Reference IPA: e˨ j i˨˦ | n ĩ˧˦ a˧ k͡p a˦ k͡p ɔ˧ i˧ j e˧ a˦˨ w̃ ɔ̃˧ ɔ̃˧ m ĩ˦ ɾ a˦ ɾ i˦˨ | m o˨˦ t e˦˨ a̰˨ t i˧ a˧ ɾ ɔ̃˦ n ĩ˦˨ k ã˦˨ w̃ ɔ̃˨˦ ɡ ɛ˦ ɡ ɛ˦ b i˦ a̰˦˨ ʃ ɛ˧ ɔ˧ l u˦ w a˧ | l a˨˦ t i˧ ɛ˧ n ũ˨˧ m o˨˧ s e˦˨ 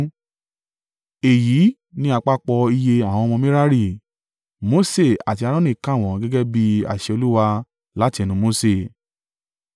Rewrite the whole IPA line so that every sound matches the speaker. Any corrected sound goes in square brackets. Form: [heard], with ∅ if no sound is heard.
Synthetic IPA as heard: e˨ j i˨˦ | n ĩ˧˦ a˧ k͡p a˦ k͡p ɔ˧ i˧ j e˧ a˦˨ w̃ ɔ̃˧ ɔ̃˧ m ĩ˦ ɾ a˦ ɾ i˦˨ | m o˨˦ [s] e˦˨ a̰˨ t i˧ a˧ ɾ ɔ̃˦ n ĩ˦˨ k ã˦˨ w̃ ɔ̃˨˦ ɡ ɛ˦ ɡ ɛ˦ b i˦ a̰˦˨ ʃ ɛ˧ [o˧] l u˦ w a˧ | l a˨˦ t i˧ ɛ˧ n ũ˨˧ m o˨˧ s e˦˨